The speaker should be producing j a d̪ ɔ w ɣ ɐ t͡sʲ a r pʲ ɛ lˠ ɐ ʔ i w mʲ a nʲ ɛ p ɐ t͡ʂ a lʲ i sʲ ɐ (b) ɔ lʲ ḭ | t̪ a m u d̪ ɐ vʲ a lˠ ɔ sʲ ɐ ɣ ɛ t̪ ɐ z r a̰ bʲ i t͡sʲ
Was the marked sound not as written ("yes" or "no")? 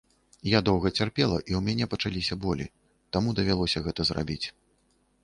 no